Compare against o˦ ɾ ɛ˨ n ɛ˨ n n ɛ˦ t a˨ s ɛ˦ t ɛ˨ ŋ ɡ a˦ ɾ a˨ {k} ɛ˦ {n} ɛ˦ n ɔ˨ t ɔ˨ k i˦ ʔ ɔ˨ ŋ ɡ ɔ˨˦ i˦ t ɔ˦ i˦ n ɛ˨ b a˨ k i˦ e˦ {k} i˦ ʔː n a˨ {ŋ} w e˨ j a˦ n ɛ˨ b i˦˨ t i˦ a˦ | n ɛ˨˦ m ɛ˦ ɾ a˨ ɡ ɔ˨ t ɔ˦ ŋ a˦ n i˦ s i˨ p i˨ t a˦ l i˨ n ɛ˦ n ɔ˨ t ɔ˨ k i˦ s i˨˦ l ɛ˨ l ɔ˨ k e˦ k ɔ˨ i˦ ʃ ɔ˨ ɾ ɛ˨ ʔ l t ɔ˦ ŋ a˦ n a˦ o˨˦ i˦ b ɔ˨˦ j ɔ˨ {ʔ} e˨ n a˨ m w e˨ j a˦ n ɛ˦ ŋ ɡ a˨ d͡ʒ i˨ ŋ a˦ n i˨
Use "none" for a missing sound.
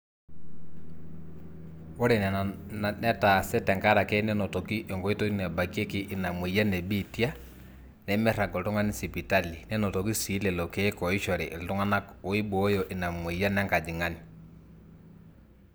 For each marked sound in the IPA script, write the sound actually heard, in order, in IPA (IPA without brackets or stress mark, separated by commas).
k, n, k, m, ʔ